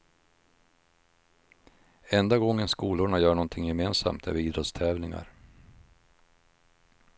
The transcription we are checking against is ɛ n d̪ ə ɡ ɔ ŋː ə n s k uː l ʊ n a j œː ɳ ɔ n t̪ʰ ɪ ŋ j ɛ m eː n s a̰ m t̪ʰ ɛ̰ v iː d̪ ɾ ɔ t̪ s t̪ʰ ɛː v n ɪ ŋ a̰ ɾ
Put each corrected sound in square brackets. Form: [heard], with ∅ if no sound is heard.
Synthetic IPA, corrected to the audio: ɛ n d̪ [a] ɡ ɔ ŋː ə n s k uː l ʊ [ɳ] a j œː ɳ ɔ n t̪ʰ ɪ ŋ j ɛ m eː n s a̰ m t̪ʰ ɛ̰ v iː d̪ ɾ ɔ t̪ s t̪ʰ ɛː v n ɪ ŋ a̰ ɾ